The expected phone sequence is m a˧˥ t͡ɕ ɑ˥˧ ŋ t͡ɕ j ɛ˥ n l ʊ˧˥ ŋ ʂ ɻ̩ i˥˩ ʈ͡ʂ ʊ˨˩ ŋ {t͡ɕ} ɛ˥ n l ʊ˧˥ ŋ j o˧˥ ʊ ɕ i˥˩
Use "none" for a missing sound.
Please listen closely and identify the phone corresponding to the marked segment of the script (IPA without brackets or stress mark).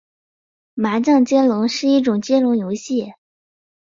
t͡ɕ